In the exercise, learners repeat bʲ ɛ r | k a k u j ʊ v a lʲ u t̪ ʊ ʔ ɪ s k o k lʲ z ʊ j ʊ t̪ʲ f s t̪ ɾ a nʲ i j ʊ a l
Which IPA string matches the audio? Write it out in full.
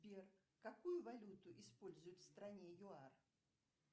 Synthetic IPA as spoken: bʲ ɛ r | k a k u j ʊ v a lʲ u t̪ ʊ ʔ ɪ s p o lʲ z ʊ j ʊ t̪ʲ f s t̪ ɾ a nʲ ɛ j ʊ a r